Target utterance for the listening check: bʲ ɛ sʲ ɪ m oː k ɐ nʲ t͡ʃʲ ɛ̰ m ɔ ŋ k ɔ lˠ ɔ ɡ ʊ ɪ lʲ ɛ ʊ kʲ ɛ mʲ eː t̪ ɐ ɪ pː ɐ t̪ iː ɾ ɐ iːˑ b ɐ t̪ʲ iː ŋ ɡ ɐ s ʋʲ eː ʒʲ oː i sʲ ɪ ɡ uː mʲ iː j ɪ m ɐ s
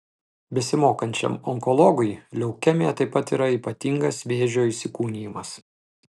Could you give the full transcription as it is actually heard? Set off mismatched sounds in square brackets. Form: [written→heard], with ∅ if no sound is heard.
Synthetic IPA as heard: bʲ ɛ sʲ ɪ m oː k ɐ nʲ t͡ʃʲ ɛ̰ m ɔ ŋ k ɔ lˠ ɔ ɡ ʊ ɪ lʲ ɛ ʊ kʲ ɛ mʲ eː t̪ ɐ ɪ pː ɐ t̪ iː ɾ ɐ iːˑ [b→p] ɐ t̪ʲ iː ŋ ɡ ɐ s ʋʲ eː ʒʲ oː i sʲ ɪ [ɡ→k] uː [mʲ→nʲ] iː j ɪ m ɐ s